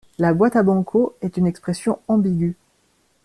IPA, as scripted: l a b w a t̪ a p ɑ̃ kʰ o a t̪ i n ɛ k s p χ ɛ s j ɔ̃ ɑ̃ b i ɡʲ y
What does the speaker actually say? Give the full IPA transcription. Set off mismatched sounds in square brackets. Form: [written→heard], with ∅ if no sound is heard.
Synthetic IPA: l a b w a t̪ a [p→b] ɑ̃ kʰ o [a→ɛ] t̪ [i→y] n ɛ k s p χ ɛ s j ɔ̃ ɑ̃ b i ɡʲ y